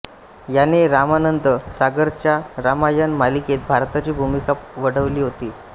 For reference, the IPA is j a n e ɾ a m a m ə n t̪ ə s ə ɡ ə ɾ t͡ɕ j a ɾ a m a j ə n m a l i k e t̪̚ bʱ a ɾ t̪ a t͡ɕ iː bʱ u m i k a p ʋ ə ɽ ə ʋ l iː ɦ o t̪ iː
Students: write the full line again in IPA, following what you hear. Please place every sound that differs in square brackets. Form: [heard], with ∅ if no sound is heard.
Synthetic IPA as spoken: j a n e ɾ a m a [n] ə n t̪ ə s [a] ɡ ə ɾ t͡ɕ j a ɾ a m a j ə n m a l i k e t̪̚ bʱ a ɾ t̪ a t͡ɕ iː bʱ u m i k a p ʋ ə ɽ ə ʋ l iː ɦ o t̪ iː